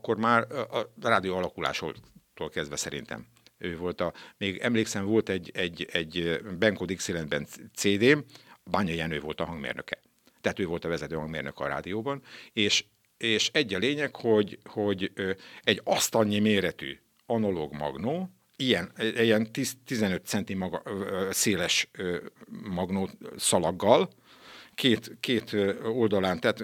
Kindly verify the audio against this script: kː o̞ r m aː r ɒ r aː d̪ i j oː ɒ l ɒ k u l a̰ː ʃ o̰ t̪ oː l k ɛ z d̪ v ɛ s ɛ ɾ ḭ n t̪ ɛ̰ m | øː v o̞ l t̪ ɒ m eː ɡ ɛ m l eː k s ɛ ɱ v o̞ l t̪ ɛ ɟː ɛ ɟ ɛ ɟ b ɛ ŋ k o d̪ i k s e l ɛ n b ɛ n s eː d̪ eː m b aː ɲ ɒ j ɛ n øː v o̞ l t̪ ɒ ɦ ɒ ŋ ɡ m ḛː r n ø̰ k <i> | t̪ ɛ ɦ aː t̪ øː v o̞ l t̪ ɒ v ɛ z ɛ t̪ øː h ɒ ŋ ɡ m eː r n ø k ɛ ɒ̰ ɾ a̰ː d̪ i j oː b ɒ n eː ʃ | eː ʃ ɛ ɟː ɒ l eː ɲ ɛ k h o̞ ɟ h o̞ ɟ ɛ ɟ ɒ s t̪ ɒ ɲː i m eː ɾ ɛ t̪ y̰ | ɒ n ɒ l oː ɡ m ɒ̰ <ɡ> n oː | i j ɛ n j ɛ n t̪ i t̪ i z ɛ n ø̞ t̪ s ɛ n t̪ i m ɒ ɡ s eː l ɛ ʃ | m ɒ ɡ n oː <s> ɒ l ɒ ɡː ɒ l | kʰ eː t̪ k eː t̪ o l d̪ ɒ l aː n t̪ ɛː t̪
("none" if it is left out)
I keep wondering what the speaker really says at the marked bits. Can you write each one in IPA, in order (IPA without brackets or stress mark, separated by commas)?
ɛ, ɡ, s